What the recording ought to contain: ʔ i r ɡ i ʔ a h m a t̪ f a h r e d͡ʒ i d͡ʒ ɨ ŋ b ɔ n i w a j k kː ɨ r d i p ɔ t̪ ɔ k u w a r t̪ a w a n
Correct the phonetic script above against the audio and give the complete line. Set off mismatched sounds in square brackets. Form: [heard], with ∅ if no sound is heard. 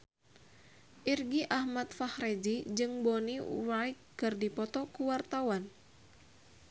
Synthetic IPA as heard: ʔ i r ɡ i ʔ a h m a t̪ f a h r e d͡ʒ i d͡ʒ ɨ ŋ b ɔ n i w a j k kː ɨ r d i p ɔ t̪ ɔ k u w a r t̪ a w a n